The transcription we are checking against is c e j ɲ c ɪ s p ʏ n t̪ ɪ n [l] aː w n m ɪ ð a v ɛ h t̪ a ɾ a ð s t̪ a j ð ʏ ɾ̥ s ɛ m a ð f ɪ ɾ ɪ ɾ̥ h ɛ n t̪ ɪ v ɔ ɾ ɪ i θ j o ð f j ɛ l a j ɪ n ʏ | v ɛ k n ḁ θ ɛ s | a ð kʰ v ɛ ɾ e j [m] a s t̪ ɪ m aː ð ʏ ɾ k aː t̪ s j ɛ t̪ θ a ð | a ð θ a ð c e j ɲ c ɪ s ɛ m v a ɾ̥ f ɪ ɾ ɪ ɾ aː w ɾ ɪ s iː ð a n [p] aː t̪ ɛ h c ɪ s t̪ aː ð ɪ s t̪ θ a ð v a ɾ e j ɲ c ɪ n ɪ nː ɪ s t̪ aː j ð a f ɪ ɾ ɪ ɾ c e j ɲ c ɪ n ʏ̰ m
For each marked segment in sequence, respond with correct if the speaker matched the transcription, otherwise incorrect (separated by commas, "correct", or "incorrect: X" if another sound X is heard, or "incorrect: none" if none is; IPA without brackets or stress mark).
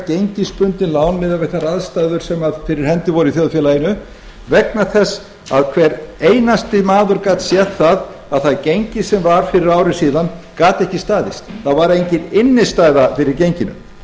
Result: correct, incorrect: n, incorrect: k